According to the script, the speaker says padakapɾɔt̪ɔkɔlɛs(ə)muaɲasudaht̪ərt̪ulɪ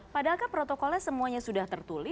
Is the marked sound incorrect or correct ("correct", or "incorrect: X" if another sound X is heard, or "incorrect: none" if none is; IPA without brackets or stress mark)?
correct